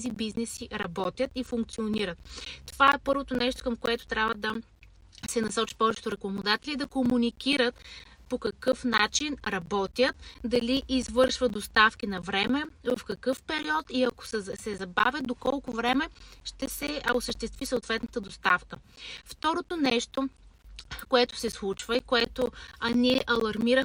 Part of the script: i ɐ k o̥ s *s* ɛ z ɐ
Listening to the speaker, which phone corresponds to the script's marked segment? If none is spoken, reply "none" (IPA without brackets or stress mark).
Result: s